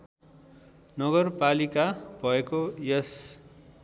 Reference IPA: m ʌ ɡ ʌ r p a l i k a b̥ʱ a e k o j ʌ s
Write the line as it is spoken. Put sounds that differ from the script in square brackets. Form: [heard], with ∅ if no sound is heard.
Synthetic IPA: [n] ʌ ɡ ʌ r p a l i k a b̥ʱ [ʌ] e k o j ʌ s